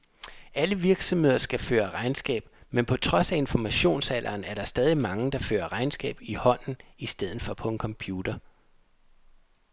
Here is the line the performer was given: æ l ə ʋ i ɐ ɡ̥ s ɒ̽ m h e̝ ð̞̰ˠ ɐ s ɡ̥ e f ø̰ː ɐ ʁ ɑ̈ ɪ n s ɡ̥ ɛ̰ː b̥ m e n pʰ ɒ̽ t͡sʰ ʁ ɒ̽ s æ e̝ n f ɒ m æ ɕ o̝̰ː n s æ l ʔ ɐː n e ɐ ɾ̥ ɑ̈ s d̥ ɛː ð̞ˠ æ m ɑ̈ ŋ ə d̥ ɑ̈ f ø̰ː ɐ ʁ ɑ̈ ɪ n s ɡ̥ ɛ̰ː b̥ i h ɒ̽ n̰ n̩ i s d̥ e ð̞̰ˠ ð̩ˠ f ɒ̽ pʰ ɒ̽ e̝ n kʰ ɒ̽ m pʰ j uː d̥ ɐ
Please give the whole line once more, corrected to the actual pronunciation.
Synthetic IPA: æ l ə ʋ i ɐ ɡ̥ s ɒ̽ m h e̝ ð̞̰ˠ ɐ s ɡ̥ æ f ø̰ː ɐ ʁ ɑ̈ ɪ n s ɡ̥ ɛ̰ː b̥ m e n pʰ ɒ̽ t͡sʰ ʁ ɒ̽ s æ e̝ n f ɒ m æ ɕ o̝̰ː n s æ l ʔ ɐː n æ ɐ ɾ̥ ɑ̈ s d̥ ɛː ð̞ˠ i m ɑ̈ ŋ ə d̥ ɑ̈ f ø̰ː ɐ ʁ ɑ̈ ɪ n s ɡ̥ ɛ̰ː b̥ i h ɒ̽ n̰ n̩ i s d̥ e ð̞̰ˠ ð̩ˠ f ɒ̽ pʰ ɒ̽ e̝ n kʰ ɒ̽ m pʰ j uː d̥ ɐ